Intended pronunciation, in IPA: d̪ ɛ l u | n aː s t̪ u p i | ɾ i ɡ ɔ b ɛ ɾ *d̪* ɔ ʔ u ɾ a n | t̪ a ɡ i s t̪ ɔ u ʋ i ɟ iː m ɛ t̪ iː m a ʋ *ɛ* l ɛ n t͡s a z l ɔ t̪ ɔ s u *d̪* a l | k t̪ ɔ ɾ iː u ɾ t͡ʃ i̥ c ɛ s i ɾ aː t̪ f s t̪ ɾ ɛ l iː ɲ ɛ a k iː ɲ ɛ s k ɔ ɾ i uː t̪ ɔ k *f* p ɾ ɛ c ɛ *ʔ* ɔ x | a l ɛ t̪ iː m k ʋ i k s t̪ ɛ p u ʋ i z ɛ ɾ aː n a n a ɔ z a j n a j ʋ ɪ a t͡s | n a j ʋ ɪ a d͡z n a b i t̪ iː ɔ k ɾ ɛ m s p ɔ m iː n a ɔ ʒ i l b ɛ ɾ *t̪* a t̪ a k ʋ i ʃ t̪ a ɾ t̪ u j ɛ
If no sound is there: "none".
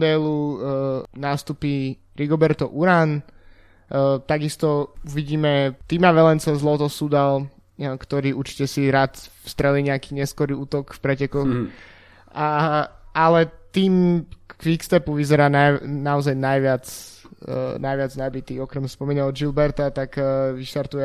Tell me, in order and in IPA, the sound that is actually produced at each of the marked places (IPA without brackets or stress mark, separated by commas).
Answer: t̪, ɛ, d̪, f, k, t̪